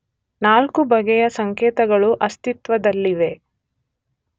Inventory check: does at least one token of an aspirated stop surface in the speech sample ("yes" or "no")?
no